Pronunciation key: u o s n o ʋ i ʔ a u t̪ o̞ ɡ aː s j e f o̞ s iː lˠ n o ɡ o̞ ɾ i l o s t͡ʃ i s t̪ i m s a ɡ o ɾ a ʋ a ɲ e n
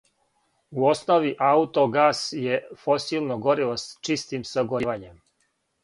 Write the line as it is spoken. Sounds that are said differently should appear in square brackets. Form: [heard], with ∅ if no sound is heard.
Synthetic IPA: u o s n o ʋ i ʔ a u t̪ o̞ ɡ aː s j e f o̞ s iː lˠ n o ɡ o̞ ɾ i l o s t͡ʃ i s t̪ i m s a ɡ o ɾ [i] ʋ a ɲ e [m]